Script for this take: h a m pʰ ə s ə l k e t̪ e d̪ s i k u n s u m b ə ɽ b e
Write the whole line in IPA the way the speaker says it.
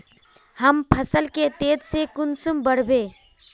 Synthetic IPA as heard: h ə m pʰ ə s ə l k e t̪ e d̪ s e k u n s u m b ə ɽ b e